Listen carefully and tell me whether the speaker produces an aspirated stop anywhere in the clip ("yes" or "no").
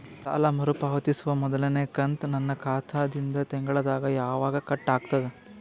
yes